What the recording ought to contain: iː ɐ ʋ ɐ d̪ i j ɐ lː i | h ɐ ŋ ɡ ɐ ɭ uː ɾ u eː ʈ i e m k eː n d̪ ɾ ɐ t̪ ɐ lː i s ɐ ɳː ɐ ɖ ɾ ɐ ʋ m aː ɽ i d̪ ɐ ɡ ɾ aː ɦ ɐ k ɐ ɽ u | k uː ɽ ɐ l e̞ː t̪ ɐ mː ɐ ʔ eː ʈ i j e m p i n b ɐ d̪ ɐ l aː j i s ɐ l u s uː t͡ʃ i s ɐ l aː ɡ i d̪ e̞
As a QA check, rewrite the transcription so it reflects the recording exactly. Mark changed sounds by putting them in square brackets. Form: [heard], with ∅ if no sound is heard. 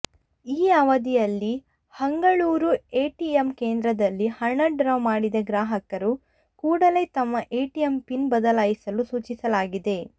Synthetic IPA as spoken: iː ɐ ʋ ɐ d̪ i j ɐ lː i | h ɐ ŋ ɡ ɐ ɭ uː ɾ u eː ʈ i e m k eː n d̪ ɾ ɐ [d̪] ɐ lː i [h] ɐ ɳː ɐ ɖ ɾ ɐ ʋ m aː ɽ i d̪ ɐ ɡ ɾ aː ɦ ɐ k ɐ [ɾ] u | k uː ɽ ɐ l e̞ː t̪ ɐ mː ɐ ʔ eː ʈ i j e m p i n b ɐ d̪ ɐ l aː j i s ɐ l u s uː t͡ʃ i s ɐ l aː ɡ i d̪ e̞